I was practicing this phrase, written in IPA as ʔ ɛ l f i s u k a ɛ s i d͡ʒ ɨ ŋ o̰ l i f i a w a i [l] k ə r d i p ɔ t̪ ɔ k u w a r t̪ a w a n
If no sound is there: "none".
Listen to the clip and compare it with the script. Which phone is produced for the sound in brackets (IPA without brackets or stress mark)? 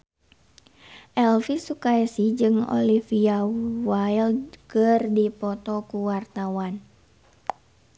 l